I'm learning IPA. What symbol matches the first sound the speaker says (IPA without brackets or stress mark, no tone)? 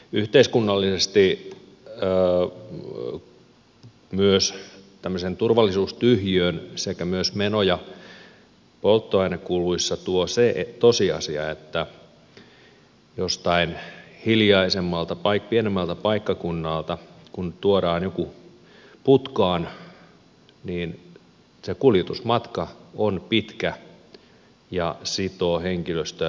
y